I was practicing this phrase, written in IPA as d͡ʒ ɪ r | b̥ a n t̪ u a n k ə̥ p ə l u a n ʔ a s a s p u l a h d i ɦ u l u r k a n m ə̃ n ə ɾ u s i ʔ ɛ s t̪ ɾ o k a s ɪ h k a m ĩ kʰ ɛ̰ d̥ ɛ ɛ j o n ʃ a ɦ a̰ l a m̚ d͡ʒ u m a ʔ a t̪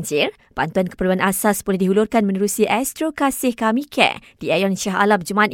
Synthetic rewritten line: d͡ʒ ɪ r | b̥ a n t̪ u a n k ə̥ p ə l u a n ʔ a s a s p u l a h d i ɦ u l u r k a n m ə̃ n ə ɾ u s i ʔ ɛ s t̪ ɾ o k a s ɪ h k a m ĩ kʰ ɛ̰ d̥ i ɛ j ɔ n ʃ a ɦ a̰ l a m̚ d͡ʒ u m a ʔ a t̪